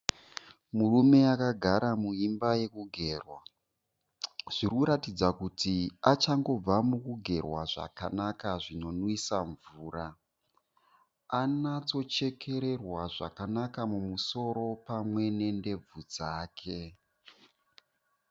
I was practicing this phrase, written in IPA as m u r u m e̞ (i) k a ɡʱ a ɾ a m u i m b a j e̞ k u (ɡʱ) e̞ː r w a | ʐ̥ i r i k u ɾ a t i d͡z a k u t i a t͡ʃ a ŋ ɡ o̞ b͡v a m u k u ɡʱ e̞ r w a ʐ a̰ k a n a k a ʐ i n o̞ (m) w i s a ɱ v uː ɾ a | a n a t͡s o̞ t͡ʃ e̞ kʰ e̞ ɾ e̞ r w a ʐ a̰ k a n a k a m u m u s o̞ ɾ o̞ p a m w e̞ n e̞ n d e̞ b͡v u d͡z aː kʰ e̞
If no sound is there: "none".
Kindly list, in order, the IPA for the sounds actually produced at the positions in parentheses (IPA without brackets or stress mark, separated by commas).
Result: a, ɡʱ, n